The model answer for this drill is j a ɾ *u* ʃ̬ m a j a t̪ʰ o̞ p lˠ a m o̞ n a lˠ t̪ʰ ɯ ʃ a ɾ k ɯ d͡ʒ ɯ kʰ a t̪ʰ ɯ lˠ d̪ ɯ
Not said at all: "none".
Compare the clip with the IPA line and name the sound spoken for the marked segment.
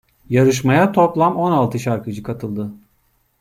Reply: ɯ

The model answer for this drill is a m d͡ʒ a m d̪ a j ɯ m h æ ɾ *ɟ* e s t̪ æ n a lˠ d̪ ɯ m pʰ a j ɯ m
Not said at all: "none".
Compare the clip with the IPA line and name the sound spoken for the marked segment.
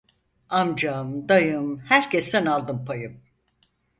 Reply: c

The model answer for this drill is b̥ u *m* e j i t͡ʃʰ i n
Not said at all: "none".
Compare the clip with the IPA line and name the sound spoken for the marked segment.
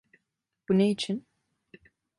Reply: n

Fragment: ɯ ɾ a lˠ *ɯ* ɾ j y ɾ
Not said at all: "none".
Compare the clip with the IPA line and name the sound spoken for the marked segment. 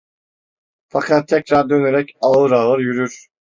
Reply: ɯ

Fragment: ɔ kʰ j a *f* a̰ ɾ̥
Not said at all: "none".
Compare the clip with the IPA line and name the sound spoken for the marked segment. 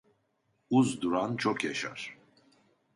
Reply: ʃ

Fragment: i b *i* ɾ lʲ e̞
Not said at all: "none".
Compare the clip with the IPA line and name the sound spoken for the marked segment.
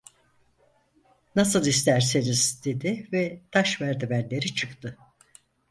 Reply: æ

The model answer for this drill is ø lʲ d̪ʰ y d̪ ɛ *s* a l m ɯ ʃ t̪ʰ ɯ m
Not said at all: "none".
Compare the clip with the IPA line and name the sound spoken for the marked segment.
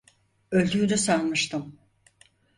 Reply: s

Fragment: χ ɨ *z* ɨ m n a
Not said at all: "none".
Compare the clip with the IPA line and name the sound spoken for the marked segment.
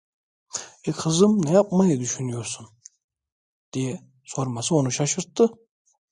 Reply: z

